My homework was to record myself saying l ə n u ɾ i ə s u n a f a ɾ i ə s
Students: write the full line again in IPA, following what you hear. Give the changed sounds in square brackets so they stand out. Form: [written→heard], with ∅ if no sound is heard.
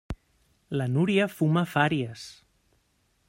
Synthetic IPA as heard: l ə n u ɾ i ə [s→f] u [n→m] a f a ɾ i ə s